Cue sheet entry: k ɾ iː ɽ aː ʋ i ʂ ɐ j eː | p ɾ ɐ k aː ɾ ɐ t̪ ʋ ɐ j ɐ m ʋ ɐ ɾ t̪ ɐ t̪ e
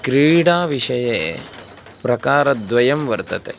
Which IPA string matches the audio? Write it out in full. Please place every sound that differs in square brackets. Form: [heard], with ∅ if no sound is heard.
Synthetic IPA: k ɾ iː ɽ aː ʋ i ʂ ɐ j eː | p ɾ ɐ k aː ɾ ɐ [d̪] ʋ ɐ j ɐ m ʋ ɐ ɾ t̪ ɐ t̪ e